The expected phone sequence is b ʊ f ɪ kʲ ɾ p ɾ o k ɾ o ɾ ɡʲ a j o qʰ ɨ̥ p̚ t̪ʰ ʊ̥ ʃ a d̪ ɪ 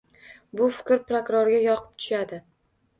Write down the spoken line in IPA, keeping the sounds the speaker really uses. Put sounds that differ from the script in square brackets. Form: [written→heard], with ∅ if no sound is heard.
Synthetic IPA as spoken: b ʊ f ɪ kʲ ɾ p ɾ o k ɾ o ɾ ɡʲ a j [o→ɒ] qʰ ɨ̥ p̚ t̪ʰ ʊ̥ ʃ a d̪ ɪ

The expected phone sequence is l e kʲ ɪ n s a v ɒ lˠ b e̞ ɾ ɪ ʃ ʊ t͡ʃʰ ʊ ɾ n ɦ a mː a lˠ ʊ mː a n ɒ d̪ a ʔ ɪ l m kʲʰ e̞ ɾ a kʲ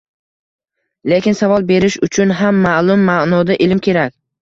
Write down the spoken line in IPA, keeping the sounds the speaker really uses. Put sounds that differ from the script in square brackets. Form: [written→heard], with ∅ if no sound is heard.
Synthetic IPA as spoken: l e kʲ ɪ n s a v ɒ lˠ b e̞ ɾ ɪ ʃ ʊ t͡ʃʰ ʊ [ɾ→∅] n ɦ a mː a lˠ ʊ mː a n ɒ d̪ a ʔ ɪ l m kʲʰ e̞ ɾ a kʲ

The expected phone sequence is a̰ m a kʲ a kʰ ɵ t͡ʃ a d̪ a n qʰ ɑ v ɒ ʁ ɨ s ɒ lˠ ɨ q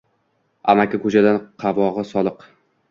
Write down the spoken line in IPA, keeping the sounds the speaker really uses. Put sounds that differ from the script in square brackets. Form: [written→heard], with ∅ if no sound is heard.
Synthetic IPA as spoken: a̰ m a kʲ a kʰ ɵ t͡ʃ a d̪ a n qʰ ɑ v ɒ ʁ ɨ s ɒ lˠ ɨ q

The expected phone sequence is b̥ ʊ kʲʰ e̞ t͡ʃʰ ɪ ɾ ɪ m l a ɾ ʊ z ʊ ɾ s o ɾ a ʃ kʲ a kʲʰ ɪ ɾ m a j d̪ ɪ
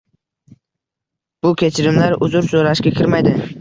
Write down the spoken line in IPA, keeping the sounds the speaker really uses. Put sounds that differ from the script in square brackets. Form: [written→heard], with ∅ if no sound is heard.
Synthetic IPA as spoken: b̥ ʊ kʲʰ e̞ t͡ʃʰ ɪ ɾ ɪ m l a ɾ ʊ z ʊ ɾ s o ɾ a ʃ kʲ a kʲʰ ɪ ɾ m a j d̪ ɪ

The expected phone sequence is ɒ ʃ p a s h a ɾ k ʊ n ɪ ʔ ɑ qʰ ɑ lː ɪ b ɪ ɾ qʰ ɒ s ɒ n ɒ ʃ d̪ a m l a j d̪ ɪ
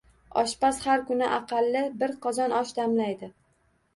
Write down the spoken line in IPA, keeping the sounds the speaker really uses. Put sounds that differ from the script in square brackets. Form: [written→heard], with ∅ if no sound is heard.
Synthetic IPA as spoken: ɒ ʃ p a s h a ɾ k ʊ n ɪ ʔ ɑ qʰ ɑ lː ɪ b ɪ ɾ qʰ ɒ [s→z] ɒ n ɒ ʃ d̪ a m l a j d̪ ɪ

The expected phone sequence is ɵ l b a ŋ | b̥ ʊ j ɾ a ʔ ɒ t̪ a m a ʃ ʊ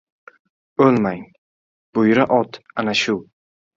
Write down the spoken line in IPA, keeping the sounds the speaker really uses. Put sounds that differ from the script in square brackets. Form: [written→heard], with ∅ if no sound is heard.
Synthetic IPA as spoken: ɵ l [b→m] a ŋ | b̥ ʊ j ɾ a ʔ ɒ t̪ a [m→n] a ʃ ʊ

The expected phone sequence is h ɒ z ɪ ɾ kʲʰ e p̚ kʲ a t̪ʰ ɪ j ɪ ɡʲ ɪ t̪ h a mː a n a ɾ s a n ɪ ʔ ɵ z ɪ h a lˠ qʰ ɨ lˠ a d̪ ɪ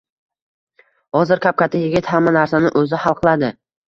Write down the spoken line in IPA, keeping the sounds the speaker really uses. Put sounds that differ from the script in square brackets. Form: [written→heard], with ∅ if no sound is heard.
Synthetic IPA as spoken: h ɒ z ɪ ɾ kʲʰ [e→a] p̚ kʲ a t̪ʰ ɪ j ɪ ɡʲ ɪ t̪ h a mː a n a ɾ s a n ɪ ʔ ɵ z ɪ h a lˠ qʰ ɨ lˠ a d̪ ɪ

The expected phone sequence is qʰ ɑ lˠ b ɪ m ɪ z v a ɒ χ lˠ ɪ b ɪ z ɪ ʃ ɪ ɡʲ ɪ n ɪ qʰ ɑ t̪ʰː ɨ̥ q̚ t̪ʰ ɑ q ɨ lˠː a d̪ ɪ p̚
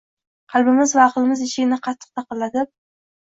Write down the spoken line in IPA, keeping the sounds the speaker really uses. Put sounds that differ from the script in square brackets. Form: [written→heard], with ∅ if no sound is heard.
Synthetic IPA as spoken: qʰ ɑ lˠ b ɪ m ɪ z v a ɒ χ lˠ ɪ [b→m] ɪ z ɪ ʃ ɪ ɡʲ ɪ n ɪ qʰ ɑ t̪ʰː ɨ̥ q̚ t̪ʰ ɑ q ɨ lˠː a d̪ ɪ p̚

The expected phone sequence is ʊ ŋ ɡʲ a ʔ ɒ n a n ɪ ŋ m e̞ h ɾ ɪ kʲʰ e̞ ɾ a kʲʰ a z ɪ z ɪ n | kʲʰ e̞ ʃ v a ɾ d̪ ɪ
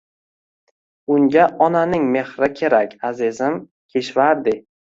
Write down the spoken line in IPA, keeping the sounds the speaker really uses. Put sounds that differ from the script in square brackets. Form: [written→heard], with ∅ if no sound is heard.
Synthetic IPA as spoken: ʊ ŋ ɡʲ a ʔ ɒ n a n ɪ ŋ m e̞ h ɾ ɪ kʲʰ e̞ ɾ a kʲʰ a z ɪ z ɪ [n→m] | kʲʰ e̞ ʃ v a ɾ d̪ ɪ

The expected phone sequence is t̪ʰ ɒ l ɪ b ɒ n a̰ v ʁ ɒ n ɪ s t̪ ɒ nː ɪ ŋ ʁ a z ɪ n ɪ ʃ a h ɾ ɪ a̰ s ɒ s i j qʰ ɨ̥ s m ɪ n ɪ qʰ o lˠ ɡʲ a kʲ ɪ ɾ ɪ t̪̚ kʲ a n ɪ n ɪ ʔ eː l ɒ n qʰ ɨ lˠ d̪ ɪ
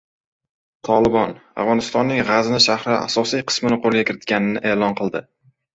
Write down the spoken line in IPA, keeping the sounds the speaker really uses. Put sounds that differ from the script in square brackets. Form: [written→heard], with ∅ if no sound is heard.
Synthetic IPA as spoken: t̪ʰ ɒ l ɪ b ɒ n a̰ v ʁ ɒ n ɪ s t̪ ɒ nː ɪ ŋ ʁ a z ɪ n ɪ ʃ a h ɾ ɪ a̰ s ɒ s i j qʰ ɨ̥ s m ɪ n ɪ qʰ o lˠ ɡʲ a kʲ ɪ ɾ ɪ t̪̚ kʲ a n ɪ n ɪ ʔ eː l ɒ n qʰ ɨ lˠ d̪ ɪ

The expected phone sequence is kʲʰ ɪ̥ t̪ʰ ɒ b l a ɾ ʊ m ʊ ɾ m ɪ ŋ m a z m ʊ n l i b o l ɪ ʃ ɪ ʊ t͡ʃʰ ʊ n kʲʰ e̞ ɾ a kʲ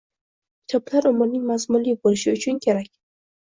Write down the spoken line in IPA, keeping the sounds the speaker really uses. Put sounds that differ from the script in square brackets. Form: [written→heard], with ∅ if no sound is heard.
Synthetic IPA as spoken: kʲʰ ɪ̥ t̪ʰ ɒ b l a ɾ ʊ m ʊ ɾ [m→n] ɪ ŋ m a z m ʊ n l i b o l ɪ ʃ ɪ ʊ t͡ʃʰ ʊ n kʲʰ e̞ ɾ a kʲ

